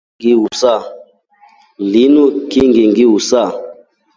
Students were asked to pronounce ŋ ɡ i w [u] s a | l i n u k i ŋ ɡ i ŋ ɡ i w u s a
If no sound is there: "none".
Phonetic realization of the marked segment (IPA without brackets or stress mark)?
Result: u